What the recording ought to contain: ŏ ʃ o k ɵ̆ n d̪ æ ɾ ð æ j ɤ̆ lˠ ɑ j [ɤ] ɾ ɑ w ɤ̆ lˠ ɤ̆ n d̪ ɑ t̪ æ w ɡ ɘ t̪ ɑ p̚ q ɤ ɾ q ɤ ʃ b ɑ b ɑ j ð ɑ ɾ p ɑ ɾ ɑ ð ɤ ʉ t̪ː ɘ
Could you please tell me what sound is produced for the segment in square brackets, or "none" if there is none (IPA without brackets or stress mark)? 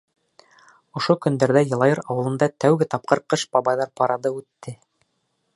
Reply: ɤ